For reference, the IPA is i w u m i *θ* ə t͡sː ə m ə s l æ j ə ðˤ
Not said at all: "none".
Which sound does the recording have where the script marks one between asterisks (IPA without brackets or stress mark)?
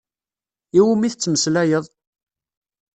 θ